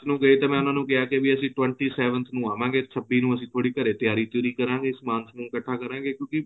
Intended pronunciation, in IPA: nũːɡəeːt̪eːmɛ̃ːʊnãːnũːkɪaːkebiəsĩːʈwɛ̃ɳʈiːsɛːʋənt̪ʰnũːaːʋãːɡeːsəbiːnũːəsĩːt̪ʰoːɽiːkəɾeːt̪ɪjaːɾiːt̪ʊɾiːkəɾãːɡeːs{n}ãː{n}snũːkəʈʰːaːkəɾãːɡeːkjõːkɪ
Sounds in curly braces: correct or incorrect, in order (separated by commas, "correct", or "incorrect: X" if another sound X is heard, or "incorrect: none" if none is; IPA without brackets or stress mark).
incorrect: m, correct